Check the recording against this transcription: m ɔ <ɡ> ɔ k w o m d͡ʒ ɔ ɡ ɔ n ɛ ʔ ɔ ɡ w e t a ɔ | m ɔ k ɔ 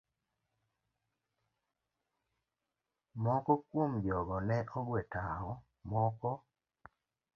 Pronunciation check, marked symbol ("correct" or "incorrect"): incorrect